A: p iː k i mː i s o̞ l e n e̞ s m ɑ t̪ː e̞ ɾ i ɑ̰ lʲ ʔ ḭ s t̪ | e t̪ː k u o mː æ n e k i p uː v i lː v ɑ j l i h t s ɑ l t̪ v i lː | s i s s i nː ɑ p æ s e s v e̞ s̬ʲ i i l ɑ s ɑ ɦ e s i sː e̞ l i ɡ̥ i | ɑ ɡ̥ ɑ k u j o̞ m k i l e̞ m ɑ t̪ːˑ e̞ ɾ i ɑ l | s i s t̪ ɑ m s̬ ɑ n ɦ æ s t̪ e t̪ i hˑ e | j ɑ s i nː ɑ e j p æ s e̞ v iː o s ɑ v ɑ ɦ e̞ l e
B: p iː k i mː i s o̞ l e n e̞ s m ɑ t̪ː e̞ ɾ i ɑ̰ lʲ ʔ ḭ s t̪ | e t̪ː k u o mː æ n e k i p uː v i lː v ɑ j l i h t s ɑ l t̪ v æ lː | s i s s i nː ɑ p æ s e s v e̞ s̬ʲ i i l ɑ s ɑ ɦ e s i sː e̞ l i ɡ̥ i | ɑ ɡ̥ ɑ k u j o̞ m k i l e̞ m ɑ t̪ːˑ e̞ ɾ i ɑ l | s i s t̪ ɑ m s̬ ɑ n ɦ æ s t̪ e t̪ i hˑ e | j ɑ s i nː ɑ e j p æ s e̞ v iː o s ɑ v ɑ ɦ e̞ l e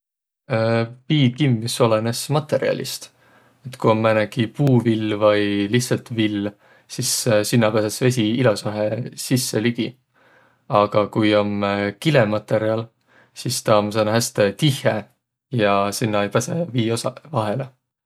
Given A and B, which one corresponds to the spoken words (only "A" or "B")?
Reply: A